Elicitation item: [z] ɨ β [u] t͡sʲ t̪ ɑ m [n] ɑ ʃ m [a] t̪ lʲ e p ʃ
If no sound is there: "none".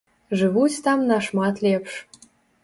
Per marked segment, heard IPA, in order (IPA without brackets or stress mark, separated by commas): ʒ, u, n, ɑ